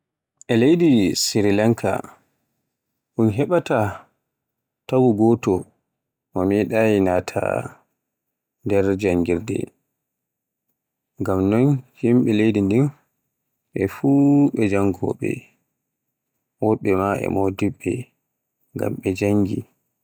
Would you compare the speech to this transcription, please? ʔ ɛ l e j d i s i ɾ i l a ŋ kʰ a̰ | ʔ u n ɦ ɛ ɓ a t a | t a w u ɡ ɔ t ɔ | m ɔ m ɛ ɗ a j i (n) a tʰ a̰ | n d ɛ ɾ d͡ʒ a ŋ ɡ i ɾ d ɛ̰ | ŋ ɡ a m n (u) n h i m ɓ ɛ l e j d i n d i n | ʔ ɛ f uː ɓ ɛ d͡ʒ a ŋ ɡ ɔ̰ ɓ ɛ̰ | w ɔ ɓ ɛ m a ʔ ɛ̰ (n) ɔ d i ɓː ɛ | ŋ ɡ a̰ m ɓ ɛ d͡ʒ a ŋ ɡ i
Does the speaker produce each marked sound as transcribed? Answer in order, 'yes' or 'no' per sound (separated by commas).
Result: yes, no, no